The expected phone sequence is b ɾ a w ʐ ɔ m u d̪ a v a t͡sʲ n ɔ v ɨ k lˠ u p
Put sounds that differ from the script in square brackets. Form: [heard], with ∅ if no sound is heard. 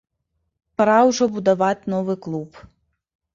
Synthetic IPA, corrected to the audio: [p] ɾ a w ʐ ɔ [b] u d̪ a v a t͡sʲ n ɔ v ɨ k lˠ u p